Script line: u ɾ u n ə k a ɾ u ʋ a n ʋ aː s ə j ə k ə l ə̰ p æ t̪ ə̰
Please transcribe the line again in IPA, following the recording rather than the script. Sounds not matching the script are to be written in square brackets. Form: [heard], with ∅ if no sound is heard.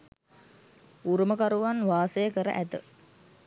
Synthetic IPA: u ɾ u [m] ə k a ɾ u ʋ a n ʋ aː s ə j ə k ə [ɾ] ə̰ [ʔ] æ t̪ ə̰

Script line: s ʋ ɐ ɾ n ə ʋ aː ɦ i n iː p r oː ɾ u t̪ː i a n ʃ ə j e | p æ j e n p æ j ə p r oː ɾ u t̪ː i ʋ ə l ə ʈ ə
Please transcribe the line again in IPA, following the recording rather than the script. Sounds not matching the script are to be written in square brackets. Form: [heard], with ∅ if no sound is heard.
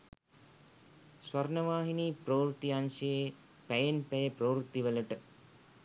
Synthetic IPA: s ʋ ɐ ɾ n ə ʋ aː ɦ i n iː p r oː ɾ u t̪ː i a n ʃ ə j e | p æ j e n p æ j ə p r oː ɾ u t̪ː i ʋ ə l ə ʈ ə

